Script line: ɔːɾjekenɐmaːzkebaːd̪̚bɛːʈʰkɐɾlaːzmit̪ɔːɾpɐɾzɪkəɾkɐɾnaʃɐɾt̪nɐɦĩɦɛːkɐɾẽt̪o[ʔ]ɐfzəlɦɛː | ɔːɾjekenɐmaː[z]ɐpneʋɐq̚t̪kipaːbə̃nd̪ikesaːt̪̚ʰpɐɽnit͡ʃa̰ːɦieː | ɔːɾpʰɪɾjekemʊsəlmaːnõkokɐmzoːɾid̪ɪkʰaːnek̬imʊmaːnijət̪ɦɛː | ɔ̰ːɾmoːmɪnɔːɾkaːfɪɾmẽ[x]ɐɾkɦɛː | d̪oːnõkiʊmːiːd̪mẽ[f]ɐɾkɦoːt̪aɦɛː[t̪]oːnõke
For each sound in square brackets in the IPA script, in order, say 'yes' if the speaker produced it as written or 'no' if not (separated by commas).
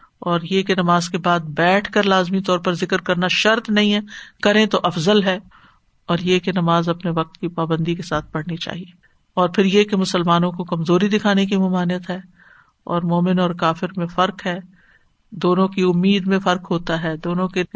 yes, yes, no, yes, no